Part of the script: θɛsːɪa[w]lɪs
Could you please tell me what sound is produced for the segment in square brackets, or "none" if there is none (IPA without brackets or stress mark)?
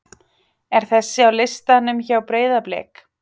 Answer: w